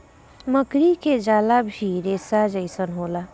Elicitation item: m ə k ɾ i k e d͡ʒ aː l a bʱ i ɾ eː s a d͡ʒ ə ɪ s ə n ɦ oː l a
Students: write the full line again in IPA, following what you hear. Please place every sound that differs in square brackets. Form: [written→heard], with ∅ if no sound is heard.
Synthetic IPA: m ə k ɾ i k e d͡ʒ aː l a bʱ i ɾ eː s a d͡ʒ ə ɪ s ə n ɦ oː l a